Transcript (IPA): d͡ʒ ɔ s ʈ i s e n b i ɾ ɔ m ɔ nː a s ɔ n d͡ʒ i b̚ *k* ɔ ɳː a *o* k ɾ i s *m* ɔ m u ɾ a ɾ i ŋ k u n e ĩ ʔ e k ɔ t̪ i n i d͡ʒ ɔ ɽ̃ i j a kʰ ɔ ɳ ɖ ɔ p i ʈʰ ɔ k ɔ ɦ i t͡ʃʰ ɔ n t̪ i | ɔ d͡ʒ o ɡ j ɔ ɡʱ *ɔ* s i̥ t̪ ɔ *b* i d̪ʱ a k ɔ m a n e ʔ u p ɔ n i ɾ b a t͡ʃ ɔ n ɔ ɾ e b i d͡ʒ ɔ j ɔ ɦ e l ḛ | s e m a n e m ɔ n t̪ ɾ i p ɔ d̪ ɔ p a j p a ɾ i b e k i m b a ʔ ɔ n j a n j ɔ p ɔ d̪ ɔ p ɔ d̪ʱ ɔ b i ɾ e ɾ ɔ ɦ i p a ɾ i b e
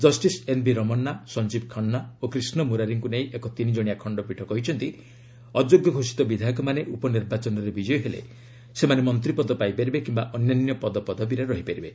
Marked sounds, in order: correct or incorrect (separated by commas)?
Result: incorrect, correct, incorrect, incorrect, correct